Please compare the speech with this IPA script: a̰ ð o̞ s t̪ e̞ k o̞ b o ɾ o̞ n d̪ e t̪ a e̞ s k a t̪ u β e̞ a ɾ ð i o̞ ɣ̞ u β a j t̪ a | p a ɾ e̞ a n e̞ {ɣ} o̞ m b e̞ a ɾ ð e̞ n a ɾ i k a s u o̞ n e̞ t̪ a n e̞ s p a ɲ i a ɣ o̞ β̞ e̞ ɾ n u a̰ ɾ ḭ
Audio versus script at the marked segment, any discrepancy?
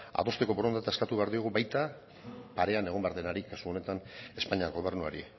no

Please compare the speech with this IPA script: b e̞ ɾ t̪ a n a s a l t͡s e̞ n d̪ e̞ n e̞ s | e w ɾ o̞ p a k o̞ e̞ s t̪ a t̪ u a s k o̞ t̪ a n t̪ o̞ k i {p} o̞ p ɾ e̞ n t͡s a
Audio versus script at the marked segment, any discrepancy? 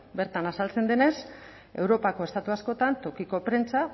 yes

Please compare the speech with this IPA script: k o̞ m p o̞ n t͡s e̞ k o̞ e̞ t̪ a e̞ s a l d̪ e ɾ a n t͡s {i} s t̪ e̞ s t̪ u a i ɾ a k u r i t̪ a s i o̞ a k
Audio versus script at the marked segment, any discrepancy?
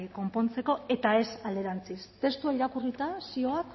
no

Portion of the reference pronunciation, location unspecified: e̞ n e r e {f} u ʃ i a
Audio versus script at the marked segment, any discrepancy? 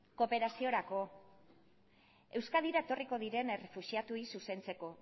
no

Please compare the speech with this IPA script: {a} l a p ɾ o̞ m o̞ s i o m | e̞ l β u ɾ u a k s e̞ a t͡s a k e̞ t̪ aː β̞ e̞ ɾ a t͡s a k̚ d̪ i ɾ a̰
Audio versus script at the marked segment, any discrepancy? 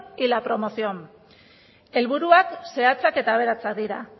yes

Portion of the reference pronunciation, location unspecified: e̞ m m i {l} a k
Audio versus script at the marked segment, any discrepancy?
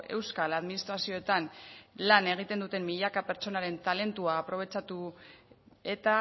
yes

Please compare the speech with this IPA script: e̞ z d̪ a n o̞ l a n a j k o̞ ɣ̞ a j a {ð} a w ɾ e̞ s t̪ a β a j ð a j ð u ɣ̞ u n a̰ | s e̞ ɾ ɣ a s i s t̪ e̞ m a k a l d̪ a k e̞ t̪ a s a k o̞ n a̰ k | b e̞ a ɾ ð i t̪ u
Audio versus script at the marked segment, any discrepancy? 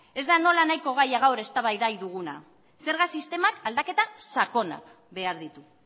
yes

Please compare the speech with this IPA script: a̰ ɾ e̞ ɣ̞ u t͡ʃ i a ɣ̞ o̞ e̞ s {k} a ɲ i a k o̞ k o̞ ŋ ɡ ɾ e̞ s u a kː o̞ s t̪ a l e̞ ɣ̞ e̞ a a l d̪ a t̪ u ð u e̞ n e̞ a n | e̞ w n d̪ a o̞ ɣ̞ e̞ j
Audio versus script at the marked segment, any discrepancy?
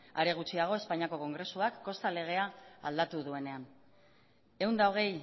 yes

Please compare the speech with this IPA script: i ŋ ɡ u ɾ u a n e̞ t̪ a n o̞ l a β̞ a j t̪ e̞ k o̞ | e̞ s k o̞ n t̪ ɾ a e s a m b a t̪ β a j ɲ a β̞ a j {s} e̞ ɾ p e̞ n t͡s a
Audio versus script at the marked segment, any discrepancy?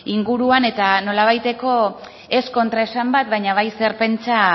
no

